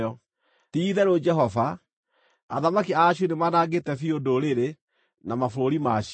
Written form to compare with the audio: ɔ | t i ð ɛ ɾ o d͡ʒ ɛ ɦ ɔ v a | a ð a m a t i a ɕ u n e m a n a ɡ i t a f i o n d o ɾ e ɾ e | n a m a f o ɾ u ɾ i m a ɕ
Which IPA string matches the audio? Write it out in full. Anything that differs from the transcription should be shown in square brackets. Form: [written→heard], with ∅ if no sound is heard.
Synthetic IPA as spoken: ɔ | t i ð ɛ ɾ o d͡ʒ ɛ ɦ ɔ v a | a ð a m a [t→k] i a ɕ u n e m a n a ɡ [i→e] t [a→ɛ] f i o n d o ɾ e ɾ e | n a m a f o ɾ [u→o] ɾ i m a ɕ